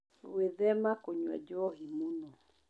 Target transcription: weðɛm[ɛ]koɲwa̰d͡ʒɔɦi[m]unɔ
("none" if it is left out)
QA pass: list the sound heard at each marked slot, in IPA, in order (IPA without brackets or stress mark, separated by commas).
a, m